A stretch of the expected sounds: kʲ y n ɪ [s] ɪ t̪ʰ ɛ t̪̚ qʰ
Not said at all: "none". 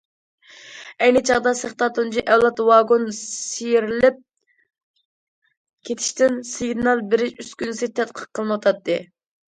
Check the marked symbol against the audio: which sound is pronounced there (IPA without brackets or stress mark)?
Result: s